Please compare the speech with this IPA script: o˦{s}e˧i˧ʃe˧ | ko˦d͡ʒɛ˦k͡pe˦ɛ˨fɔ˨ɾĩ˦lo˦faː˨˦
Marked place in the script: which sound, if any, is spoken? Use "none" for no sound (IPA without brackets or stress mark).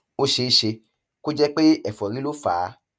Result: ʃ